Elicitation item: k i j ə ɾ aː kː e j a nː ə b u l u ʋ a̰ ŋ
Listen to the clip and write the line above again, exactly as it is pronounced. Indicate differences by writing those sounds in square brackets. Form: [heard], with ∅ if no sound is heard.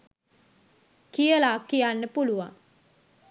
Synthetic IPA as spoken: k i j ə [l] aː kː [i] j a nː ə [p] u l u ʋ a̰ ŋ